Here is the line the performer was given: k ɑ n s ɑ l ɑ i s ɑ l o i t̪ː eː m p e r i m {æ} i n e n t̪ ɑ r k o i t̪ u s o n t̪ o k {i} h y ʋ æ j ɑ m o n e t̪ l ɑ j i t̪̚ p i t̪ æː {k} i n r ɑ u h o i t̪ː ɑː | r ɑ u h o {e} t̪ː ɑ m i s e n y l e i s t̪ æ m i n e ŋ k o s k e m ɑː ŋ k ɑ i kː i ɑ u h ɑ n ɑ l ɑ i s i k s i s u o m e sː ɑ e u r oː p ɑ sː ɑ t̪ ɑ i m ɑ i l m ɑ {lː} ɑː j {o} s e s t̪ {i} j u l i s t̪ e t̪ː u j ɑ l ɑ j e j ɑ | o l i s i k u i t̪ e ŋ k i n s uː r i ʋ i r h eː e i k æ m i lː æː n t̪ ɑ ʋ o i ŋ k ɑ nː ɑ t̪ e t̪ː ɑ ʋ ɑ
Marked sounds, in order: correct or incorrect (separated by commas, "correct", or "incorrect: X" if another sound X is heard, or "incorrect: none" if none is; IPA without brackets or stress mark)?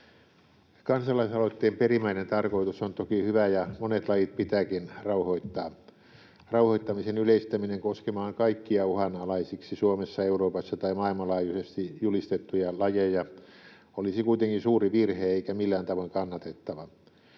correct, correct, correct, incorrect: i, incorrect: l, incorrect: u, correct